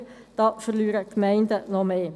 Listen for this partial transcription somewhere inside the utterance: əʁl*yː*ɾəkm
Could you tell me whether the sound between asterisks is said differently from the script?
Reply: no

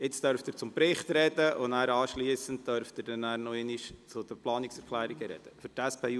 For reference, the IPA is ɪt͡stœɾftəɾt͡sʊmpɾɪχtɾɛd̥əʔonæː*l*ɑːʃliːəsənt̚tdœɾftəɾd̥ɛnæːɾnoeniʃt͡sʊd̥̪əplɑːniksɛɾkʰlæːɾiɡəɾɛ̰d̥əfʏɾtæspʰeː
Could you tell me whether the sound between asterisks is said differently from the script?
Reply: yes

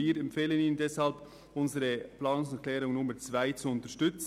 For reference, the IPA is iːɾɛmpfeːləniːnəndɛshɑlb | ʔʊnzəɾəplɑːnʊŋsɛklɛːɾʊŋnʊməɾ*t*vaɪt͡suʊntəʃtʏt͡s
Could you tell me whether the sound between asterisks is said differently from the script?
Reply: yes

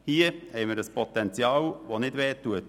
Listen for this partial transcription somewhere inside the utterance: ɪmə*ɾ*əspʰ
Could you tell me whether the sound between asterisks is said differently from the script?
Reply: no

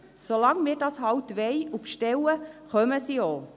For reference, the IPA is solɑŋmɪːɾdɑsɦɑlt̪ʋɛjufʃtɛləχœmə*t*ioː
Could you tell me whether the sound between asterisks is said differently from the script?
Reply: yes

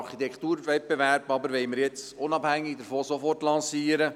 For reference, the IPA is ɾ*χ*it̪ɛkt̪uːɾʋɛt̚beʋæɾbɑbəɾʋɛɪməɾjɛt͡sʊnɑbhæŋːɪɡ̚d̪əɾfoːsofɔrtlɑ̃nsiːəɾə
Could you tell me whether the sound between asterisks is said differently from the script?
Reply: no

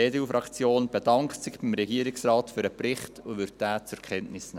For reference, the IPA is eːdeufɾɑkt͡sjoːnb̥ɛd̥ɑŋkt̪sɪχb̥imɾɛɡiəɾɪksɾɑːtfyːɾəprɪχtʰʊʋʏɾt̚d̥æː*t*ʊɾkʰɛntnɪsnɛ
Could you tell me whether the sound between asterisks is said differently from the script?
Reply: yes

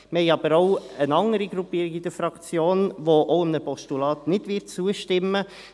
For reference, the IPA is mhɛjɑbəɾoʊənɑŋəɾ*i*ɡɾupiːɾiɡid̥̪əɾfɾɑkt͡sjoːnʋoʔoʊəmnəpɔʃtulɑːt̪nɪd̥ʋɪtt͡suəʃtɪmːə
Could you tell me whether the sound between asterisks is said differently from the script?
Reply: no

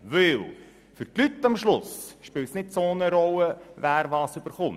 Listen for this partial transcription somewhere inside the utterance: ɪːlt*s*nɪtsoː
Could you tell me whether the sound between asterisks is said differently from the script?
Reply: no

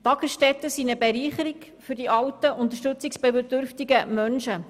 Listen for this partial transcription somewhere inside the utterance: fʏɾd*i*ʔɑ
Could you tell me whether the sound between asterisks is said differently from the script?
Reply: no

